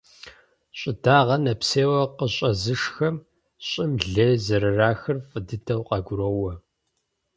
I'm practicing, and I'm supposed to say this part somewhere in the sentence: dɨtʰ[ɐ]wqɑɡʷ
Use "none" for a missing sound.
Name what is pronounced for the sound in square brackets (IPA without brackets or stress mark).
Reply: ɐ